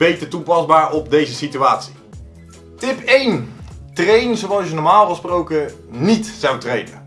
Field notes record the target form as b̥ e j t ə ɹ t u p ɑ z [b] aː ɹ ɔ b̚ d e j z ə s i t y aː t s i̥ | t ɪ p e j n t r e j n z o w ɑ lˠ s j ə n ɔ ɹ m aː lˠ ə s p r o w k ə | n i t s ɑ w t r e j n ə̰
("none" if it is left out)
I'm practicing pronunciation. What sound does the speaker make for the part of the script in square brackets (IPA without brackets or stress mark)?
b